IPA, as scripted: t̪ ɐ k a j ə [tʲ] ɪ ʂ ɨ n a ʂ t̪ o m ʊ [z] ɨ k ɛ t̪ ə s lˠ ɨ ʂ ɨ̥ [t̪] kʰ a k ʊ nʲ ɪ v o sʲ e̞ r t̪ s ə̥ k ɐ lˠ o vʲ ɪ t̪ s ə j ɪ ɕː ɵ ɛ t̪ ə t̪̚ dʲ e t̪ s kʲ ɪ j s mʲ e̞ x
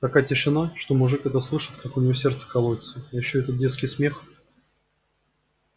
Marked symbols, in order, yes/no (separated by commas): yes, no, yes